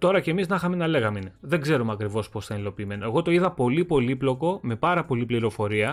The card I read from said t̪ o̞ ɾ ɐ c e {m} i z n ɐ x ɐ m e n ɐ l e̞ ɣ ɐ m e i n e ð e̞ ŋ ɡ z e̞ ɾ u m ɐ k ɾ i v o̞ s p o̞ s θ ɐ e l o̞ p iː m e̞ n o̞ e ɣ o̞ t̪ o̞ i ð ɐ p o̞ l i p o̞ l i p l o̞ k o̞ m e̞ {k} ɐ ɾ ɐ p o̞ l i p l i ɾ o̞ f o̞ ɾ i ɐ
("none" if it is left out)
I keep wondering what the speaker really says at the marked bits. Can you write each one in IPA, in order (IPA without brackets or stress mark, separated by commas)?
m, p